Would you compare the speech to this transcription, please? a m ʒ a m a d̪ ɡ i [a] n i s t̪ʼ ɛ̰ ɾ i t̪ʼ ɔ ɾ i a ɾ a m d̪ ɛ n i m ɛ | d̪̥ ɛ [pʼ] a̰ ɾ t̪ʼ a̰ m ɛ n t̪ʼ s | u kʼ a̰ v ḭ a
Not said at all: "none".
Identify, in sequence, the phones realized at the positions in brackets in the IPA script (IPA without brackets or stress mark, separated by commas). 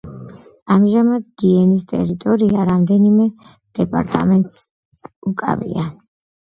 ɛ, pʼ